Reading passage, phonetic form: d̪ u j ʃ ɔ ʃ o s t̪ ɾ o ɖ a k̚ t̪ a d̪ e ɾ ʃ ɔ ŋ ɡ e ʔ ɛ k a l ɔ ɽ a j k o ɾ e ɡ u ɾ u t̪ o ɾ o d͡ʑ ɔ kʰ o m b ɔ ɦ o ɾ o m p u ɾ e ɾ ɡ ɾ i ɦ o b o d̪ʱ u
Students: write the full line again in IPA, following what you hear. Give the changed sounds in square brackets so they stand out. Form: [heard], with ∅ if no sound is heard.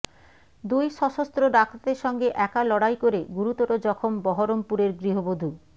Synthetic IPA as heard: d̪ u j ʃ ɔ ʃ o s t̪ ɾ o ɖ a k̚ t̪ a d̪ e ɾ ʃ ɔ ŋ ɡ e ʔ ɛ k a l ɔ ɽ a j k o ɾ e ɡ u ɾ u t̪ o ɾ o d͡ʑ ɔ kʰ o m b ɔ ɦ o ɾ o m p u ɾ e ɾ ɡ ɾ i ɦ o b o d̪ʱ u